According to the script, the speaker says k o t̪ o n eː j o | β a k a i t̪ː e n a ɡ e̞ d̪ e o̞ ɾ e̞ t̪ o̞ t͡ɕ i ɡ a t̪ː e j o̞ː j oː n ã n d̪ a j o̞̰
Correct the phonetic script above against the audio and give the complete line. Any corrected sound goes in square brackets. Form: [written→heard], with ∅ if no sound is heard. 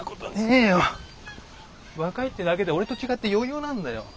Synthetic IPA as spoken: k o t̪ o n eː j o | β a k a i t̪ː e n a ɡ e̞ d̪ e o̞ ɾ e̞ t̪ o̞ t͡ɕ i ɡ a t̪ː e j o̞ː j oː n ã n d̪ a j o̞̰